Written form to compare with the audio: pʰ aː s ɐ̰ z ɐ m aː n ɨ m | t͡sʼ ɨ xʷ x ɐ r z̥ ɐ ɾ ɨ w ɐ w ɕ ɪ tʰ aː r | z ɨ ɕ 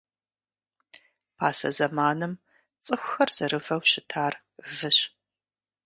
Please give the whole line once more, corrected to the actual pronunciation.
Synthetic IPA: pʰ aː s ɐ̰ z ɐ m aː n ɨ m | t͡sʼ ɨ xʷ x ɐ r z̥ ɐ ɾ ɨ v ɐ w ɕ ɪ tʰ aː r | v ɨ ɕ